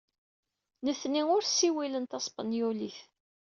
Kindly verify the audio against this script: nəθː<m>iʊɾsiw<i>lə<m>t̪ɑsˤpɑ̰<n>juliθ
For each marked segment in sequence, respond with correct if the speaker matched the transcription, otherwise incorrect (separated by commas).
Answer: incorrect, correct, incorrect, correct